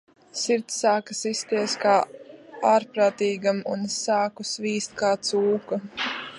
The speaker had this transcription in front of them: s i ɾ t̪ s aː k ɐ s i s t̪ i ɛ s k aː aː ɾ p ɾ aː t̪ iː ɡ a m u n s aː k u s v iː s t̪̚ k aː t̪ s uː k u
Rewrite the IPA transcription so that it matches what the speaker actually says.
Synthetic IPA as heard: s i ɾ t̪ s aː k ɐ s i s t̪ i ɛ s k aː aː ɾ p ɾ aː t̪ iː ɡ a m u n s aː k u s v iː s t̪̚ k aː t̪ s uː k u